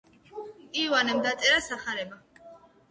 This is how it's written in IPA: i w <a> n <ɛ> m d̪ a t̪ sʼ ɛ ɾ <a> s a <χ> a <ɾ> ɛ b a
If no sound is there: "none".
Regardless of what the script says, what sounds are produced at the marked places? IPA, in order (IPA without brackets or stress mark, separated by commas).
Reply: a, ɛ, a, χ, ɾ